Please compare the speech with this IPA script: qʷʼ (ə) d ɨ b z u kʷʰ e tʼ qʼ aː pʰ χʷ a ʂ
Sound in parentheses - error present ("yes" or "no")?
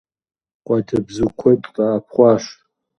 yes